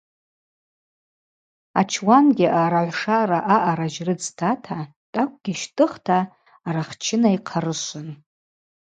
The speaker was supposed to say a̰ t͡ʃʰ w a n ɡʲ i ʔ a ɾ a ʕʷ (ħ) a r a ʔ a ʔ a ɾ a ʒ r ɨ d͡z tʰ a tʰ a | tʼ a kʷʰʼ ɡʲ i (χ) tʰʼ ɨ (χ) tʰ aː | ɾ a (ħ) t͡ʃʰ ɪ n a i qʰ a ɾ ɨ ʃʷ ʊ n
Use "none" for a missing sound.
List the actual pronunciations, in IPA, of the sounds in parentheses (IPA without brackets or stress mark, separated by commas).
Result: ʂ, ʃ, χ, χ